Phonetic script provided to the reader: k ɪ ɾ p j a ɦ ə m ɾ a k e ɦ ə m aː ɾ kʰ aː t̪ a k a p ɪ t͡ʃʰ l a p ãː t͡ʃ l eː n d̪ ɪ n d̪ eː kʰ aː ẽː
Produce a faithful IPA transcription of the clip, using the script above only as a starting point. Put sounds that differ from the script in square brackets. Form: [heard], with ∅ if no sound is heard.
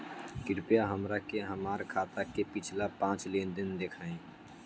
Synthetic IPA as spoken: k ɪ ɾ p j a ɦ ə m ɾ a k e ɦ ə m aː ɾ kʰ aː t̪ a k [e] p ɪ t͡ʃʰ l a p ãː t͡ʃ l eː n d̪ ɪ n d̪ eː kʰ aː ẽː